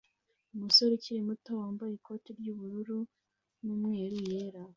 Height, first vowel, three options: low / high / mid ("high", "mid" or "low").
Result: high